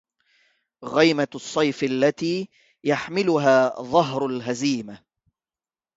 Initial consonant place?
velar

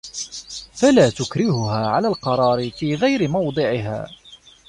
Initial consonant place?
labial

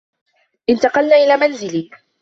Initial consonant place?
glottal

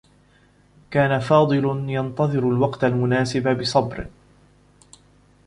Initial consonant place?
velar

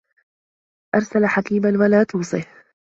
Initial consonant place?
glottal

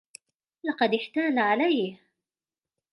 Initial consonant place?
alveolar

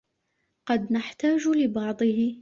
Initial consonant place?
uvular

